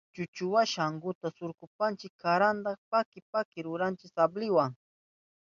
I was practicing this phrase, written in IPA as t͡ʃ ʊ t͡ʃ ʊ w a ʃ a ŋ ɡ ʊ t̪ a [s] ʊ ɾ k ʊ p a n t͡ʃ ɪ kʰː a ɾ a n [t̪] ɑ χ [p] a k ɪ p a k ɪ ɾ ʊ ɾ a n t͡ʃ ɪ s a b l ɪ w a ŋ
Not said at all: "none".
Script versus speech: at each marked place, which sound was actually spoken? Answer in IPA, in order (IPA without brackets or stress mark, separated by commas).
s, d̪, p